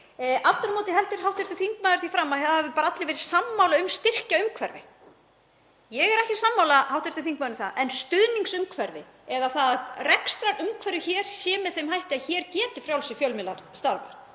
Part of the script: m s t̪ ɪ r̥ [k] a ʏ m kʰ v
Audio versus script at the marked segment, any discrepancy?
yes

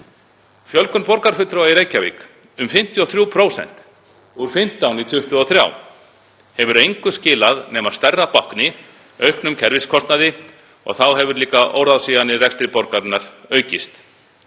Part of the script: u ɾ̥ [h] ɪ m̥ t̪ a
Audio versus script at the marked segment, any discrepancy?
yes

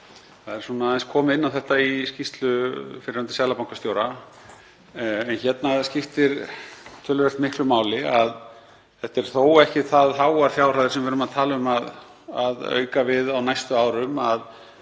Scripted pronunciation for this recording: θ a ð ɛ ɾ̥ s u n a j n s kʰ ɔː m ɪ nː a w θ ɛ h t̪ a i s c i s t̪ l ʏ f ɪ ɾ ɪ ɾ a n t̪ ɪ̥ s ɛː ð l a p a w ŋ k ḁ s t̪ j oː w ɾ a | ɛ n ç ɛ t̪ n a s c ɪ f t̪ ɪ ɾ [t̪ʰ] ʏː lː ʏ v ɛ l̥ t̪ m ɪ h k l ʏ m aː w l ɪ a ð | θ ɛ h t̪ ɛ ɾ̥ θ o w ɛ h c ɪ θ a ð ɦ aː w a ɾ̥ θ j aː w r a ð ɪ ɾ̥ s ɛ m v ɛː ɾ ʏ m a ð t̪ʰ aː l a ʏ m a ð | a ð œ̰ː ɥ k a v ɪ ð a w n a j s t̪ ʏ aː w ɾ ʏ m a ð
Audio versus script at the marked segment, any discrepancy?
no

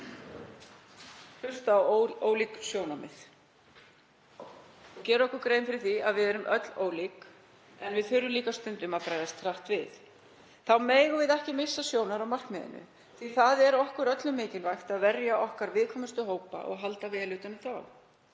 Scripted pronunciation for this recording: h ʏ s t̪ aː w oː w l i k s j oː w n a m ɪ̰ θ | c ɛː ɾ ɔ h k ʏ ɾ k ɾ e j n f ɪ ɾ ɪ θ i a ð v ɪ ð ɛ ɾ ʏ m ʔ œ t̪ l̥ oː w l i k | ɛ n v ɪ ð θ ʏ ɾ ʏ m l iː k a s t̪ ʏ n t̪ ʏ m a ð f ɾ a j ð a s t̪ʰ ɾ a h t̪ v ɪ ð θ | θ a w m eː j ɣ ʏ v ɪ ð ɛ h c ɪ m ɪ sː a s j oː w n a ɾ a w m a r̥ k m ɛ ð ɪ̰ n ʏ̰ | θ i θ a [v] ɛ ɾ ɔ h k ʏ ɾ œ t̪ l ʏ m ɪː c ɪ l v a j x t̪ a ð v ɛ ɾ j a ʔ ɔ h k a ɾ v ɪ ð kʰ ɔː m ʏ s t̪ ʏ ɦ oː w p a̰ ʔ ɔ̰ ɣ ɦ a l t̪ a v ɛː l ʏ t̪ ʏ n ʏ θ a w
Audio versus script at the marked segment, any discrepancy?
yes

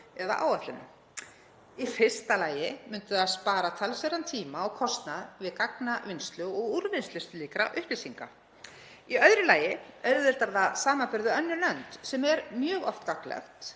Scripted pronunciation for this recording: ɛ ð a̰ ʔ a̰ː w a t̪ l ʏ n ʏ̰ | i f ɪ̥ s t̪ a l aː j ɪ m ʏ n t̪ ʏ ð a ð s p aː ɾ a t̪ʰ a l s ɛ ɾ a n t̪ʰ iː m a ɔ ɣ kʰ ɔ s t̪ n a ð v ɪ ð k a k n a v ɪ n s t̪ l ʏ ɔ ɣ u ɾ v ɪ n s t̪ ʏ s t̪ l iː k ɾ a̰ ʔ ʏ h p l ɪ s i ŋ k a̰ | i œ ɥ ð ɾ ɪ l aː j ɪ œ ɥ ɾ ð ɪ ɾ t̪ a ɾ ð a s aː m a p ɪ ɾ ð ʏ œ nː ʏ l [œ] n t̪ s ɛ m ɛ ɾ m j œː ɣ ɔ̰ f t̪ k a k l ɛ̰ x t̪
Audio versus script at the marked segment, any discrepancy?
no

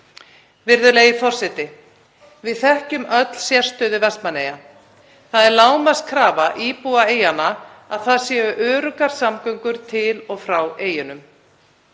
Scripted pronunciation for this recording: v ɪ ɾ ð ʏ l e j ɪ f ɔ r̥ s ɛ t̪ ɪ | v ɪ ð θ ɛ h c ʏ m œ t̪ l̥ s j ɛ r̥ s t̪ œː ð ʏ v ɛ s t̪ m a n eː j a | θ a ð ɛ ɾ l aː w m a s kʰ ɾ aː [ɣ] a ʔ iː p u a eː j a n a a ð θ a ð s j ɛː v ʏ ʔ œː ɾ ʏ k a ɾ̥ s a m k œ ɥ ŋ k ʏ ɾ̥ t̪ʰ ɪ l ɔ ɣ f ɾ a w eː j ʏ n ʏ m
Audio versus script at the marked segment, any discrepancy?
yes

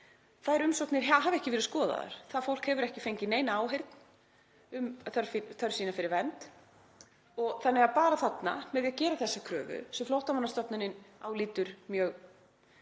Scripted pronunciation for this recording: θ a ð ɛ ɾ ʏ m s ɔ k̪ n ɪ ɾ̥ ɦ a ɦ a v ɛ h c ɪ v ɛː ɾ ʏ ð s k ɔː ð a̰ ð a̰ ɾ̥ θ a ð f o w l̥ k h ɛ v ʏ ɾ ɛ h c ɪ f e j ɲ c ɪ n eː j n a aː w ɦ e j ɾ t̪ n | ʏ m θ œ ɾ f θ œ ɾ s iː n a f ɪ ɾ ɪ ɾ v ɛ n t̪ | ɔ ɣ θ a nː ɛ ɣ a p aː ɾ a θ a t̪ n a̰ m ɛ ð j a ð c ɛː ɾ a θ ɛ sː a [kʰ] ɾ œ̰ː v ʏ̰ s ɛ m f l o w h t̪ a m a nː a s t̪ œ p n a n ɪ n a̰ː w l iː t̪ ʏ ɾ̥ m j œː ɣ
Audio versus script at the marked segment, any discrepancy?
no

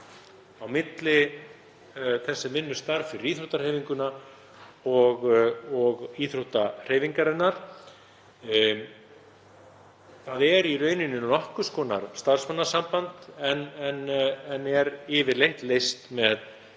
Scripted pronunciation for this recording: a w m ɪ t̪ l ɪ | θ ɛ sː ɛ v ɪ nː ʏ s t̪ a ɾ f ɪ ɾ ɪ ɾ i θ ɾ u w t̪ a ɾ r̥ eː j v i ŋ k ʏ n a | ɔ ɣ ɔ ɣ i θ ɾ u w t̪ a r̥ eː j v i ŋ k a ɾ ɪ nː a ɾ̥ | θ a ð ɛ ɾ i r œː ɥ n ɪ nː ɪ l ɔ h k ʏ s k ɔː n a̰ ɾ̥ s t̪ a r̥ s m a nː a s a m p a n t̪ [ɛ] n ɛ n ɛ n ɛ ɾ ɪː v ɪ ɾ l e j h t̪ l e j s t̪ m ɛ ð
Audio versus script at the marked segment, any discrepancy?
no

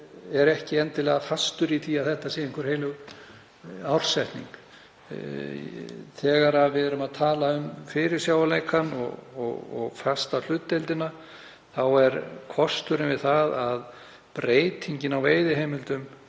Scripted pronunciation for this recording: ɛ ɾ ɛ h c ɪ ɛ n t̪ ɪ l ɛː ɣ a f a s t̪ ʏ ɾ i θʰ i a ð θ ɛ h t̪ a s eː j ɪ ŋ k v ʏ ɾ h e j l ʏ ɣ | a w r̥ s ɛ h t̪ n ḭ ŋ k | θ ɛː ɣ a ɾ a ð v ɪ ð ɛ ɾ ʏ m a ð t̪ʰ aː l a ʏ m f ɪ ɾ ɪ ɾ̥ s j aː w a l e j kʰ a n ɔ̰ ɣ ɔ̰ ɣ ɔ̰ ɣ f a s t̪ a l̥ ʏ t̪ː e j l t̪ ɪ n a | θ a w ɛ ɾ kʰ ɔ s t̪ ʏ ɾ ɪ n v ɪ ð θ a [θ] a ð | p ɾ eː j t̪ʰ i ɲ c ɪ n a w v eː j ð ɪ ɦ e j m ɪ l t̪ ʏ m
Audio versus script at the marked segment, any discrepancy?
yes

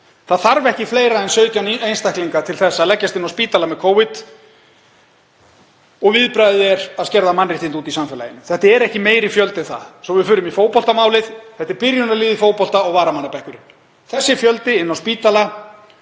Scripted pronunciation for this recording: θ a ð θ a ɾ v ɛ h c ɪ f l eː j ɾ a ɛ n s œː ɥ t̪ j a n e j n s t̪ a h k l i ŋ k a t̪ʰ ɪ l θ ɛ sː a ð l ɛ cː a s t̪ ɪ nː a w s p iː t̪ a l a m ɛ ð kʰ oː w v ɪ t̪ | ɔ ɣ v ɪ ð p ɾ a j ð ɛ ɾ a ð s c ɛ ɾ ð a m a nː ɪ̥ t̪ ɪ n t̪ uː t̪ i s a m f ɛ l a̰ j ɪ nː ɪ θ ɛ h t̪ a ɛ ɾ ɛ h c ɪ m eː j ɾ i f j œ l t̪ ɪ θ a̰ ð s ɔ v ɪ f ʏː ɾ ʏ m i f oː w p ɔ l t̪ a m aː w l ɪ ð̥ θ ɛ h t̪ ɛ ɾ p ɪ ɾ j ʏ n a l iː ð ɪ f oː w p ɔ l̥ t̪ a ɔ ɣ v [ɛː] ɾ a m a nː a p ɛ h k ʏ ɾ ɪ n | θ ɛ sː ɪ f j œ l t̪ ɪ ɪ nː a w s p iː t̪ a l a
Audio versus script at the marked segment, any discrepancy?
yes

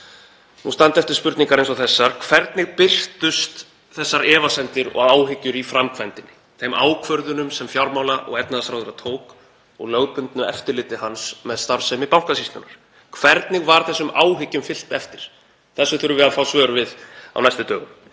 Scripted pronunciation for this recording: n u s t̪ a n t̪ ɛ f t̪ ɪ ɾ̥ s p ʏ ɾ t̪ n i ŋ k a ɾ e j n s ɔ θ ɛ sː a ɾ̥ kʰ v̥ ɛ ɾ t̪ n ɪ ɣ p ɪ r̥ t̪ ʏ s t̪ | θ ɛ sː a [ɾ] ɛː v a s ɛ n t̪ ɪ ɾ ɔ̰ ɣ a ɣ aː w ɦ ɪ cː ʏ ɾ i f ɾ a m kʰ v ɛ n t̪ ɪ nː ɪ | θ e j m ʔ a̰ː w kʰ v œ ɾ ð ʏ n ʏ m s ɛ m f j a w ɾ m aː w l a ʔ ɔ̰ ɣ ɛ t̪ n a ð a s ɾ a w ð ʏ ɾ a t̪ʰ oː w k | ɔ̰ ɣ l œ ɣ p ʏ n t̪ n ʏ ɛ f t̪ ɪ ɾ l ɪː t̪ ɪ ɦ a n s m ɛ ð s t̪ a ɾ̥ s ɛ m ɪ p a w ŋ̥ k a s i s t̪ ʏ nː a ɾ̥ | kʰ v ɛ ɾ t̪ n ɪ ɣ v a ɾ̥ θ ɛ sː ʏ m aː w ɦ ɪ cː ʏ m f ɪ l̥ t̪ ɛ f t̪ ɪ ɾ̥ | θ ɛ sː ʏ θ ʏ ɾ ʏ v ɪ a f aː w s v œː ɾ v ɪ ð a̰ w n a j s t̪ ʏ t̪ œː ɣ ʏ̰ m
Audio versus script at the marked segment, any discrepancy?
no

